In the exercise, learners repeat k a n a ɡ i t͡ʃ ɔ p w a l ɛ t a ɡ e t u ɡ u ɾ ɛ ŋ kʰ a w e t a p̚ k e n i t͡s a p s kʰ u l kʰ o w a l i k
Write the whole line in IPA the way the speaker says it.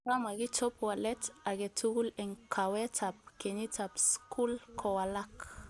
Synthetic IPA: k a m a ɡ i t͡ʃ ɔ p w a l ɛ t a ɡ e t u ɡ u l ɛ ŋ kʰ a w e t a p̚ k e n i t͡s a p s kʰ u l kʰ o w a l a k